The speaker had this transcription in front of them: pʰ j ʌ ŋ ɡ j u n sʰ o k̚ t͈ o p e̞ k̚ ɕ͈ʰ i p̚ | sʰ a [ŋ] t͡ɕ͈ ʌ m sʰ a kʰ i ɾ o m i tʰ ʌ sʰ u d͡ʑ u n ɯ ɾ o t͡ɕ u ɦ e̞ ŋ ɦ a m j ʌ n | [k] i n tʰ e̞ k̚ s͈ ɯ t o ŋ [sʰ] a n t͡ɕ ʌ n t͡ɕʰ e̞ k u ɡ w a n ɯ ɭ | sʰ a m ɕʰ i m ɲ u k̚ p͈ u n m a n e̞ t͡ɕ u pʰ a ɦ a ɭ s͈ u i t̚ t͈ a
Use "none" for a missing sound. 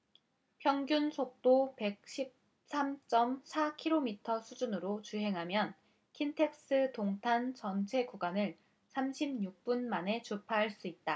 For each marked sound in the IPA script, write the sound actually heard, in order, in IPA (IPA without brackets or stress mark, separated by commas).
m, kʰ, tʰ